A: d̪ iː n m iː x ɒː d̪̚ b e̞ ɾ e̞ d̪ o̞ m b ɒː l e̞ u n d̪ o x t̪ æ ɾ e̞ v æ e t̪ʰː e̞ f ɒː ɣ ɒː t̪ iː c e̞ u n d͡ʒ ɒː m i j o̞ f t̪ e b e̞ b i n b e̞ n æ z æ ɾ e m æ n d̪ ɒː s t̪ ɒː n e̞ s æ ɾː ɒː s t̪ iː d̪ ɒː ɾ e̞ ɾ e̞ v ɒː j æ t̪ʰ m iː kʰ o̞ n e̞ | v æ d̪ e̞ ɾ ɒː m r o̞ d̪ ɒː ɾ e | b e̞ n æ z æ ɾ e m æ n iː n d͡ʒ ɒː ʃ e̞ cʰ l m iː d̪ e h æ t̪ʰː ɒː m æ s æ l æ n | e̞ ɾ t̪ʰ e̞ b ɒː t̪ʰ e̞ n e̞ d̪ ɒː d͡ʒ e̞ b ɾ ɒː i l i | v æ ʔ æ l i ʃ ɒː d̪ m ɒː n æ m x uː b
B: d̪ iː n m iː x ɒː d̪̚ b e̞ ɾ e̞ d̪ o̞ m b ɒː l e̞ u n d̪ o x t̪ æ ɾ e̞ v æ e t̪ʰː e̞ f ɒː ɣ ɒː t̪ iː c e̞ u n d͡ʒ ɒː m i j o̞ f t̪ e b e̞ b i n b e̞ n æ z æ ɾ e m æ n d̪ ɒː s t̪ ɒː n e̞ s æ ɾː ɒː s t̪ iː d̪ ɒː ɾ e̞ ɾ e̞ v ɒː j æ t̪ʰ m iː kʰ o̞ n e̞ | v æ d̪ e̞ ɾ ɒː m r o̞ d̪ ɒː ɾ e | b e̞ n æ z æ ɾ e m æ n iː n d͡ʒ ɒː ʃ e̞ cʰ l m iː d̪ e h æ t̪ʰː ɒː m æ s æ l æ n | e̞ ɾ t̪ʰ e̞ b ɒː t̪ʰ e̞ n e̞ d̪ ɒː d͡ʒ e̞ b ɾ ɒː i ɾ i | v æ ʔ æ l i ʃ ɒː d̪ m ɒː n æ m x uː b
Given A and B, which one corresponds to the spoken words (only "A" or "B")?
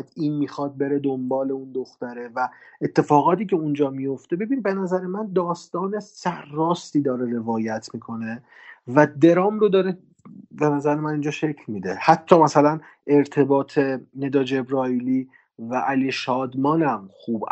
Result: A